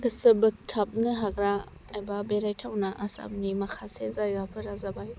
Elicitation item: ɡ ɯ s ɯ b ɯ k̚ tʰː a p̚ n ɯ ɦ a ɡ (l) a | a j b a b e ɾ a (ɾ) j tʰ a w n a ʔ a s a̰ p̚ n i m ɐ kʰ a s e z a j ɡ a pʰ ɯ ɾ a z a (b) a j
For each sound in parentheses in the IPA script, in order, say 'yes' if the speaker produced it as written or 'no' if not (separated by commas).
no, no, yes